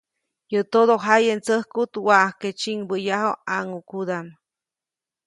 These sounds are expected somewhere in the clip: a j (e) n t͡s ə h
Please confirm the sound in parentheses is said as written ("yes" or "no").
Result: yes